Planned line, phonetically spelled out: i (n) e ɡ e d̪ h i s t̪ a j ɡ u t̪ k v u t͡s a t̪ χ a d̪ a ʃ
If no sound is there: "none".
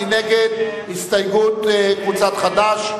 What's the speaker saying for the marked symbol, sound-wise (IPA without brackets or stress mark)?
n